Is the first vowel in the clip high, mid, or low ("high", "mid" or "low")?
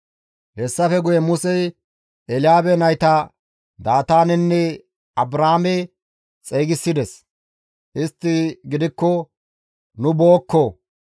mid